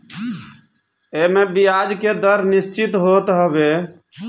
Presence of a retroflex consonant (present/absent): absent